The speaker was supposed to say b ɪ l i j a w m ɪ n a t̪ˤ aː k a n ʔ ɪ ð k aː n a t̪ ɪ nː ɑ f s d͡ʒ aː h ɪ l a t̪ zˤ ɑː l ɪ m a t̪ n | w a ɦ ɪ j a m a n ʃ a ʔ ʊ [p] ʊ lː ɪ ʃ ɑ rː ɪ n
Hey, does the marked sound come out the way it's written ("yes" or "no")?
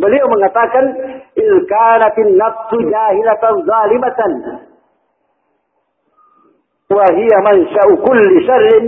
no